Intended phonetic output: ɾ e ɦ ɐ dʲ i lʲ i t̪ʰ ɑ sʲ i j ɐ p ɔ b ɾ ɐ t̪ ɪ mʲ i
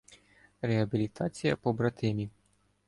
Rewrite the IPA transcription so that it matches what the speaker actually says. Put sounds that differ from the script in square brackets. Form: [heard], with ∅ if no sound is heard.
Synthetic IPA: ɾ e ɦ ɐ [bʲ] i lʲ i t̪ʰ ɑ [t͡sʲ] i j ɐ p ɔ b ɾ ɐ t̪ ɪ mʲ i